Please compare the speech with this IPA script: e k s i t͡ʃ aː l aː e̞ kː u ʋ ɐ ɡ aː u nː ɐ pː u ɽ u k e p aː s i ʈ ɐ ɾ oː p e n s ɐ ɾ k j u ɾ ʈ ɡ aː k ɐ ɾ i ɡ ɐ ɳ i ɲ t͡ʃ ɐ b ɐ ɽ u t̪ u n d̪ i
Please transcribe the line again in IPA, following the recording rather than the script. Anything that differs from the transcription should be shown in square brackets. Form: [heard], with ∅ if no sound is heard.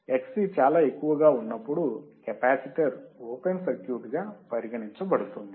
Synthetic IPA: e k s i t͡ʃ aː l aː e̞ kː u ʋ ɐ ɡ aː u nː ɐ pː u ɽ u k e p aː s i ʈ ɐ ɾ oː p e n s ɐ ɾ k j u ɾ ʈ ɡ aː [p] ɐ ɾ i ɡ ɐ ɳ i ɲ t͡ʃ ɐ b ɐ ɽ u t̪ u n d̪ i